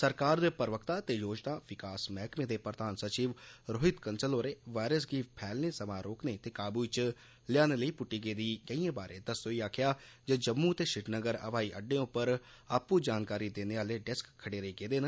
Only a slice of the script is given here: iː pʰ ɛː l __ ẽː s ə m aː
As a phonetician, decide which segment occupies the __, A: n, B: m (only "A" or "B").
A